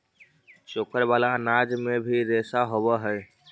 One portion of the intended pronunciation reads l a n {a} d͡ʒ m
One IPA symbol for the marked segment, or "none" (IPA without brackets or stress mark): a